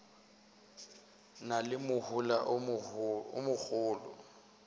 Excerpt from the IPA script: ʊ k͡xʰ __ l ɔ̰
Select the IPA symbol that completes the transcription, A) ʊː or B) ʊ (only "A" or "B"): A